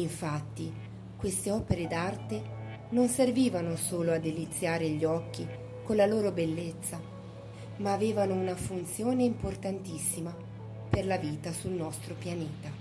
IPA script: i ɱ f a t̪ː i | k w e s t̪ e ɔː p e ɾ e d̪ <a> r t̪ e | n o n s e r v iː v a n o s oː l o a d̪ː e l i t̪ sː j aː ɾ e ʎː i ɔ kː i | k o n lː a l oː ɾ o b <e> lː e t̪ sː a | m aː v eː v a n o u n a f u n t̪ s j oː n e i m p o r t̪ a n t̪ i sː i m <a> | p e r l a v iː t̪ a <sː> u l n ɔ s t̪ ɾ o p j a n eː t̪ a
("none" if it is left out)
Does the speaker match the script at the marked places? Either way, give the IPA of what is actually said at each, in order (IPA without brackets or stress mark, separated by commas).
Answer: a, e, a, s